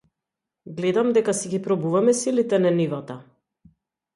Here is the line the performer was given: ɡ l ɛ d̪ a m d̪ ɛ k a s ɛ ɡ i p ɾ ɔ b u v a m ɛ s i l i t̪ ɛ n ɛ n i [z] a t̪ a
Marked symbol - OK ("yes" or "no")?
no